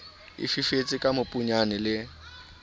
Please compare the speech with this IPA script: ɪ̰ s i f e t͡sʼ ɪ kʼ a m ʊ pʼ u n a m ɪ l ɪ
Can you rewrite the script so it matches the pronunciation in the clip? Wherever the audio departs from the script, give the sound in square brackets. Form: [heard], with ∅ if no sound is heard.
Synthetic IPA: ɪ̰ [f] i f e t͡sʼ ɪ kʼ a m ʊ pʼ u [ɲ] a [n] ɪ l ɪ